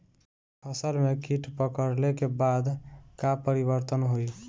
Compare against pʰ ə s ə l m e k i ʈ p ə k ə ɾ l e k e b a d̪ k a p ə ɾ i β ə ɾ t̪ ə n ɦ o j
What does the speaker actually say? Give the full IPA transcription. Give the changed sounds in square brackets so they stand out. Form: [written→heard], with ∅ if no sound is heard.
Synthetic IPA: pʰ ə s ə l m e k i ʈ p ə k ə ɾ l e k e b a d̪ k a p ə ɾ i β ə ɾ t̪ ə n ɦ o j